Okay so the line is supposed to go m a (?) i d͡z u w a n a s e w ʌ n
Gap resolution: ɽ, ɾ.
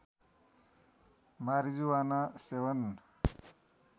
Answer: ɾ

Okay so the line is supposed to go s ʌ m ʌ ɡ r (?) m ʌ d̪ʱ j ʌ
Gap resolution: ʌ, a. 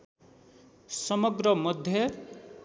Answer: ʌ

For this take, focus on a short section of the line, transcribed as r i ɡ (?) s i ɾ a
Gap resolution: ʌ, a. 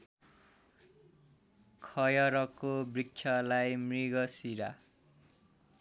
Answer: ʌ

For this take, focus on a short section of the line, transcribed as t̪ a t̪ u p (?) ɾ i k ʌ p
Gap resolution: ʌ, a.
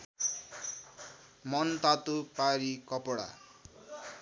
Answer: a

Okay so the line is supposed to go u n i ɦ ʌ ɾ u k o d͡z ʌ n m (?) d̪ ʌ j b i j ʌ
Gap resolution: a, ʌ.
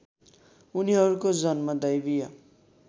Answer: ʌ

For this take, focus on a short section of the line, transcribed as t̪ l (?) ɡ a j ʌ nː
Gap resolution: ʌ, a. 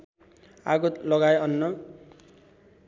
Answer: ʌ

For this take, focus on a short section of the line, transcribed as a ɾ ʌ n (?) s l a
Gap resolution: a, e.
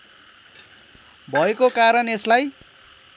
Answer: e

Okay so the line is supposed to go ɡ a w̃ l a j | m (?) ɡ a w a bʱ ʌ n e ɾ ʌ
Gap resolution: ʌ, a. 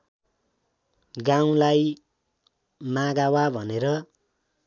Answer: a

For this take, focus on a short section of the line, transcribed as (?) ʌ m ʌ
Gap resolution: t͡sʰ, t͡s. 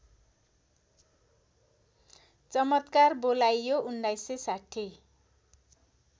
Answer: t͡s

